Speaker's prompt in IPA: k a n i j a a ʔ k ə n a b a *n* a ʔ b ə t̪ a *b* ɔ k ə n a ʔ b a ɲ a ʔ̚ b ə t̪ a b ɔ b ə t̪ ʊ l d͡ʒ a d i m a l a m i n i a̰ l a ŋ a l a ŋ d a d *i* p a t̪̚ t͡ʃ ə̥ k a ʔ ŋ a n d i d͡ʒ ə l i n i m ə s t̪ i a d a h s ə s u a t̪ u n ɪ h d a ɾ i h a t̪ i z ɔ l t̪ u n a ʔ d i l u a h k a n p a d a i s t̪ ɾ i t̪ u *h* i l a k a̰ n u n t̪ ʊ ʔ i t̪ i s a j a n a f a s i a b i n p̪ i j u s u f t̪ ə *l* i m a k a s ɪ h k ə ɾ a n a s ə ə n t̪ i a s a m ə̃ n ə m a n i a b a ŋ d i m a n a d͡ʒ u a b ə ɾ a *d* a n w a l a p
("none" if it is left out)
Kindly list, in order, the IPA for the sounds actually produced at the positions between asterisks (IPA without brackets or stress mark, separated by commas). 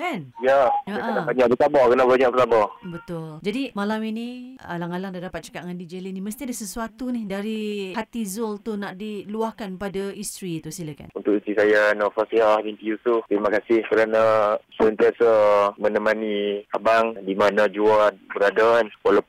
ɲ, b, a, s, ɾ, d